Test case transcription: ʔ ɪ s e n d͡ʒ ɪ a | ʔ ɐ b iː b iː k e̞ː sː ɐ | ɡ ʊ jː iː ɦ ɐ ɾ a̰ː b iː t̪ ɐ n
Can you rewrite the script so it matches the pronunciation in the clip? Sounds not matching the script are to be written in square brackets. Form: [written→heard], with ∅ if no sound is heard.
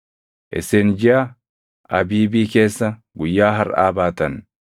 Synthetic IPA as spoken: ʔ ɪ s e n d͡ʒ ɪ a | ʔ ɐ b iː b iː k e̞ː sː ɐ | ɡ ʊ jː [iː→aː] ɦ ɐ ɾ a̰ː b [iː→aː] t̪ ɐ n